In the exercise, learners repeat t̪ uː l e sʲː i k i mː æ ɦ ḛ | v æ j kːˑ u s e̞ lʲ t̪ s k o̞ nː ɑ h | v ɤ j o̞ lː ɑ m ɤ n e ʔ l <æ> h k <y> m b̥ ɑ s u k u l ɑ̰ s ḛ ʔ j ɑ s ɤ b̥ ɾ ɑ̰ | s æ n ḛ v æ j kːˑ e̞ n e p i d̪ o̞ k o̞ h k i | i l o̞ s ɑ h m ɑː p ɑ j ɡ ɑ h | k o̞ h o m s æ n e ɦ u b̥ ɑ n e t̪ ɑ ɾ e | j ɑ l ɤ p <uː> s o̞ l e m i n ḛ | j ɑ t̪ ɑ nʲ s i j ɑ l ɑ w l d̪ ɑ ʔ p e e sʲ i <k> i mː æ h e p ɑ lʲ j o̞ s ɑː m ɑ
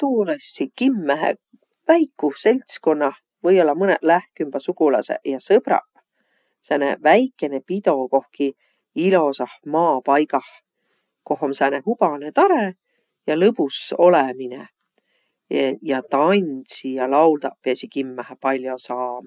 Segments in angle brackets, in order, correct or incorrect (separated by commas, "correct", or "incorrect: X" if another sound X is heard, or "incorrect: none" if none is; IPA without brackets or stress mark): correct, correct, incorrect: u, correct